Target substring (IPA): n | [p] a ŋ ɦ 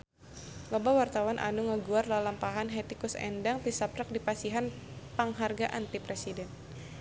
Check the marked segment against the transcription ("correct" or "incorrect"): correct